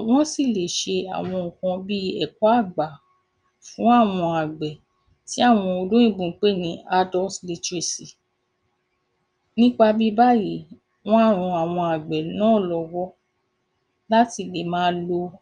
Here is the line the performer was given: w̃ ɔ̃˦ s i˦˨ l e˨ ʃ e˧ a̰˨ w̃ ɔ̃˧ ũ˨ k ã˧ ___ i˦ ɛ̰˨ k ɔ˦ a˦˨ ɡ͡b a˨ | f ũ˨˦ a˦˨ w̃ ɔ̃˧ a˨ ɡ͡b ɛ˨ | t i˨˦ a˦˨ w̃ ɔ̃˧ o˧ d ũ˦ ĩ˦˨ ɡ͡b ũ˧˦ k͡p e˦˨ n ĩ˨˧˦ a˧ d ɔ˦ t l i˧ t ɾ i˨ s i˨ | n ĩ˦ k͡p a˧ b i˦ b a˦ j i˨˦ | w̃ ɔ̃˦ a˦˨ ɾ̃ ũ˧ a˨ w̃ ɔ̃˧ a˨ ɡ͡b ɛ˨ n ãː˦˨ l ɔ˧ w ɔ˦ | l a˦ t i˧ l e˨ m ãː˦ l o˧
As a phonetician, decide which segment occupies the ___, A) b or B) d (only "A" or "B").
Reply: A